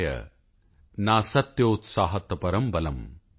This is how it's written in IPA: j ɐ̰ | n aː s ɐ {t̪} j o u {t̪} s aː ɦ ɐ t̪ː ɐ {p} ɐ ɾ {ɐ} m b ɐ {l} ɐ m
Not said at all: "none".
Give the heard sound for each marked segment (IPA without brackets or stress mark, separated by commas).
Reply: t̪, t̪, p, ɐ, l